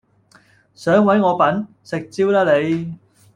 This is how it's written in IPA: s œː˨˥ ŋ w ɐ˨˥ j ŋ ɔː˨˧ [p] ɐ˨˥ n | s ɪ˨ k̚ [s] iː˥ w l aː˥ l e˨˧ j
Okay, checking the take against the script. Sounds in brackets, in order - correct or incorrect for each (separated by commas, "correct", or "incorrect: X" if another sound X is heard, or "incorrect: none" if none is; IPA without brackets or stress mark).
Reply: correct, incorrect: t͡s